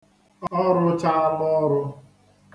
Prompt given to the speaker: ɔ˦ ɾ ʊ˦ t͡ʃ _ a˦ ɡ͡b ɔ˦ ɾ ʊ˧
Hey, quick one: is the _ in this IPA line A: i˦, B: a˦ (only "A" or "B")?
B